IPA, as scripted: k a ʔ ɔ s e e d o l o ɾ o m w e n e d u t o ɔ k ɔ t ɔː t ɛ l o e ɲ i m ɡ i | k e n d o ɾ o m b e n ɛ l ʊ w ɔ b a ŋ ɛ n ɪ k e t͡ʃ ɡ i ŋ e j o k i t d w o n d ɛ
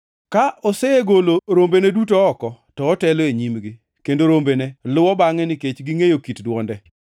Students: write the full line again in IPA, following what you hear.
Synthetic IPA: k a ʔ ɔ s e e ɡ o l o ɾ o m b e n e d u t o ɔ k ɔ t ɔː t ɛ l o e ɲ i m ɡ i | k e n d o ɾ o m b e n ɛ l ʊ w ɔ b a ŋ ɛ n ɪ k e t͡ʃ ɡ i ŋ e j o k i t d w ɔ n d ɛ